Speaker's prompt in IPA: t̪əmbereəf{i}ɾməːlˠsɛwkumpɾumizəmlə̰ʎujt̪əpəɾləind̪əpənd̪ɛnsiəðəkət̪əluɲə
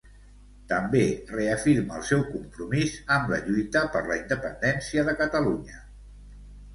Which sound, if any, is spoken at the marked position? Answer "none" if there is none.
i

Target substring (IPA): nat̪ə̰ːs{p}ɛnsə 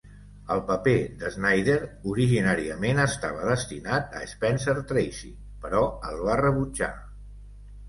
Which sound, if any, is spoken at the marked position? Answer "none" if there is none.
p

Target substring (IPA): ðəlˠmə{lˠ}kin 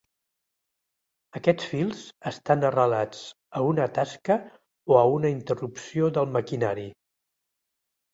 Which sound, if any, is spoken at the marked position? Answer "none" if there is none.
none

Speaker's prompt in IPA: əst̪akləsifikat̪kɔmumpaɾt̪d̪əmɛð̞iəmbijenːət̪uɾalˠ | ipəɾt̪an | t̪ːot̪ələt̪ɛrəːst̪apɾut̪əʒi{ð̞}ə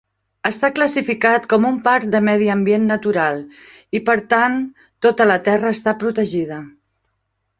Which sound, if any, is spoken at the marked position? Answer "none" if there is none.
ð̞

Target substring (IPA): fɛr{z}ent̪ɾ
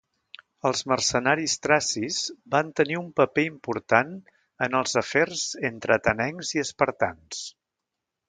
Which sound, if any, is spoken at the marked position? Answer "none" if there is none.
z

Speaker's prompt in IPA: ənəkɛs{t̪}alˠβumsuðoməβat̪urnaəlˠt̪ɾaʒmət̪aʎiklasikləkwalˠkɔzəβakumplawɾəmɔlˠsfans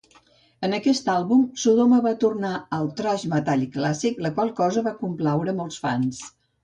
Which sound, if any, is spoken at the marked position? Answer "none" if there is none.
t̪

